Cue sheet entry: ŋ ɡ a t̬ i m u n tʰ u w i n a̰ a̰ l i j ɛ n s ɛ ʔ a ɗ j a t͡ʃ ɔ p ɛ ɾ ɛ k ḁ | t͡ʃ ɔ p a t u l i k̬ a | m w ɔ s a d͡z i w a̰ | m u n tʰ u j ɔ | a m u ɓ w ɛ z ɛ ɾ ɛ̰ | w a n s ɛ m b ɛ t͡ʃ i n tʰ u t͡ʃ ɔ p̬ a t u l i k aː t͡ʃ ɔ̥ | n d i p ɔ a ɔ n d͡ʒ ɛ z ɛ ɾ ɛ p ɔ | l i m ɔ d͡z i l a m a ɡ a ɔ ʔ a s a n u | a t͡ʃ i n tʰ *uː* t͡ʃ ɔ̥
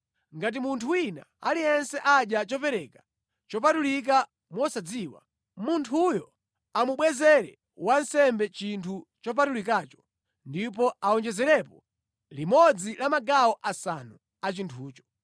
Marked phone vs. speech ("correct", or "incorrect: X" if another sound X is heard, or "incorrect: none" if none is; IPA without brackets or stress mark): correct